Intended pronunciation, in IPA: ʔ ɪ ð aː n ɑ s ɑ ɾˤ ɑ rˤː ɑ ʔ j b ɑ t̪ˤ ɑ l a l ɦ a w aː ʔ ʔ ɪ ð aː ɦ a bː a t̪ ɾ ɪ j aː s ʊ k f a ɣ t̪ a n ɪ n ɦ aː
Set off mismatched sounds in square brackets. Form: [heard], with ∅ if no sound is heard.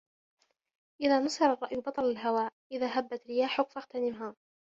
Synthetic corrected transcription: ʔ ɪ ð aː n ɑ s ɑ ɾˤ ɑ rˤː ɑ ʔ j b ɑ t̪ˤ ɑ l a l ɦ a w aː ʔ ʔ ɪ ð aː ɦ a bː a t̪ ɾ ɪ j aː [ħ] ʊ k f a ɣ t̪ a n ɪ [m] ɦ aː